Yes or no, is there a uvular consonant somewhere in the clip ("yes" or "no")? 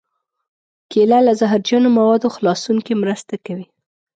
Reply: no